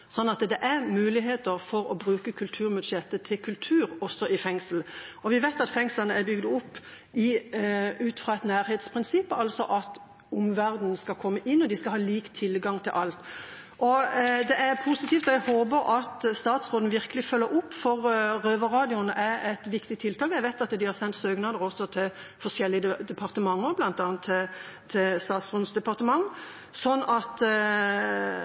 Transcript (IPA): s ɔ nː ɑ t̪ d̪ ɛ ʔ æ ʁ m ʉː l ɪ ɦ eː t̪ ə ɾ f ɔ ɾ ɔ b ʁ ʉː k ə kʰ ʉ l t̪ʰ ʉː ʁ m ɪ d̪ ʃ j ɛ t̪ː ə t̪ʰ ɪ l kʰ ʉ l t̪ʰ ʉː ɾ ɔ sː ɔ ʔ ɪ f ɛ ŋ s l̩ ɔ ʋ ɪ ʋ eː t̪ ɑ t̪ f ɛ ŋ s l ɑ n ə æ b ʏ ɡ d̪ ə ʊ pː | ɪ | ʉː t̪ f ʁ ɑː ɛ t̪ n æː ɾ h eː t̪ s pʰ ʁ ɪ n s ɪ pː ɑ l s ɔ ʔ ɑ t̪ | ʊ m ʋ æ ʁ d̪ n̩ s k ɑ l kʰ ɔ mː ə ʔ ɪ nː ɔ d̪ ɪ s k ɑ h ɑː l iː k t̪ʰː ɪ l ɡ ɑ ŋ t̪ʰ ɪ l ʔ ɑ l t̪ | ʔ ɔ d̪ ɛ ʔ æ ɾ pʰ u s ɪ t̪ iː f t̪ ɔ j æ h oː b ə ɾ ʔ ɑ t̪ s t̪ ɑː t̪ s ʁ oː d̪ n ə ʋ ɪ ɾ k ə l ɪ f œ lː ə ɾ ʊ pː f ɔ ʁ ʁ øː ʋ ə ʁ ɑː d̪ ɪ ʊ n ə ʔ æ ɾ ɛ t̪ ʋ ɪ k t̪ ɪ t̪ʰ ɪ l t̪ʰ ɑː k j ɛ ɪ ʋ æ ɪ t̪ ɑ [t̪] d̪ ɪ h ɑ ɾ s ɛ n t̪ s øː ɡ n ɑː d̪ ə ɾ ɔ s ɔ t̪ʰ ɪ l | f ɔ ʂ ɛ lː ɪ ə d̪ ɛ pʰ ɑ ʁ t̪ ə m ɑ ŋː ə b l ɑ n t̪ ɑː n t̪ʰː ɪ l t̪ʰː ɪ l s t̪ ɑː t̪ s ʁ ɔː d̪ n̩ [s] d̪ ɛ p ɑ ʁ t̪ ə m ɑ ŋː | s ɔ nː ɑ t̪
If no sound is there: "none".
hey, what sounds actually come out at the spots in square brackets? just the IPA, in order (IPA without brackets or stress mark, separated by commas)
t̪, s